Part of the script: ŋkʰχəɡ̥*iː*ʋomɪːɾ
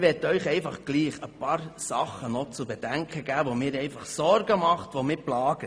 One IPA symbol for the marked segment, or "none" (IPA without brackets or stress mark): æː